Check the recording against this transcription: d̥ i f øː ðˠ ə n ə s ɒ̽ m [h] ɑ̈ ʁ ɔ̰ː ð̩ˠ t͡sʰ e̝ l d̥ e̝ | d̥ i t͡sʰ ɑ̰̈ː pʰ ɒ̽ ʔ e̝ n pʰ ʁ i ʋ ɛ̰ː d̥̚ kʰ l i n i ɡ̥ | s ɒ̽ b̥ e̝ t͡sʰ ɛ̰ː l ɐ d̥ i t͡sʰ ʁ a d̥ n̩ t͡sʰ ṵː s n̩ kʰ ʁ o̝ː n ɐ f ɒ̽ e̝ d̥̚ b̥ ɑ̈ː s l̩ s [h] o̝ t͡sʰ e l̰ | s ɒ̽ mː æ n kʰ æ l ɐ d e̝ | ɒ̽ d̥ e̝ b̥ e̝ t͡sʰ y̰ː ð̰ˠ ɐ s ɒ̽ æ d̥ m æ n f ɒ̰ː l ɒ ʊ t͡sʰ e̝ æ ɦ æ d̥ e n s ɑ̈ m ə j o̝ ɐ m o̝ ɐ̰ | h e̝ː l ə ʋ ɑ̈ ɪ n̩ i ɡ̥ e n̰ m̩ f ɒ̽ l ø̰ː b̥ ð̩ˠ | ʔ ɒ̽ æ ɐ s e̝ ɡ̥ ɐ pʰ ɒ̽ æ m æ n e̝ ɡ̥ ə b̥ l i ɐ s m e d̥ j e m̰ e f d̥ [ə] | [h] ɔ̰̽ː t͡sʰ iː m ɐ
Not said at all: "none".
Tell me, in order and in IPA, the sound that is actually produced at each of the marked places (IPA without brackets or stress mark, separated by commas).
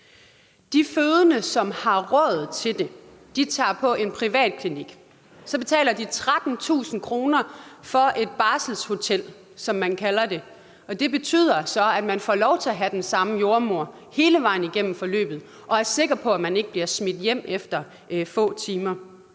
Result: h, h, ɐ, f